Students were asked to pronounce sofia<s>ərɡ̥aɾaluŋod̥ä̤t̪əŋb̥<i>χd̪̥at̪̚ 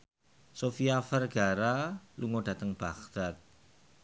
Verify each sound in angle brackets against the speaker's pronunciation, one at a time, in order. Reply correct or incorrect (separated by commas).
incorrect, incorrect